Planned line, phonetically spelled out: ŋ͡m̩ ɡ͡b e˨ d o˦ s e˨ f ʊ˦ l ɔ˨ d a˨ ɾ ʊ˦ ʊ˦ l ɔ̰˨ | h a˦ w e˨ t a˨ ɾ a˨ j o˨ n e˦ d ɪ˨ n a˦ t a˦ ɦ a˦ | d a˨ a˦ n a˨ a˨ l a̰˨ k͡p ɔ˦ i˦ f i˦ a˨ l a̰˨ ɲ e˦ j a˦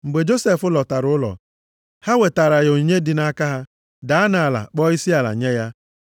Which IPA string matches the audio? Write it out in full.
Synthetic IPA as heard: ŋ͡m̩ ɡ͡b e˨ d͡ʒ o˦ s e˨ f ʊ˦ l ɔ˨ t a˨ ɾ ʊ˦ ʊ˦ l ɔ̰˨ | h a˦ w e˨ t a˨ ɾ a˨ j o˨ ɲ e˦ d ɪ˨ n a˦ k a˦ ɦ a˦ | d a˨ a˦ n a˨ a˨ l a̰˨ k͡p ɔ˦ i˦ s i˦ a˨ l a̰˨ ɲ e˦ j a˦